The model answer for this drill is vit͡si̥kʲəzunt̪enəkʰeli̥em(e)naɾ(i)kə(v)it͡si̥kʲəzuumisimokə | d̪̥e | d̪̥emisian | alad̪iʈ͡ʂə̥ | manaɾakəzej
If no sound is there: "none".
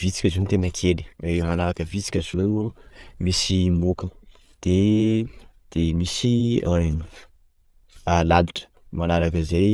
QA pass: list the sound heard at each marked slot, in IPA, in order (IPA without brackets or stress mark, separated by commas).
a, a, v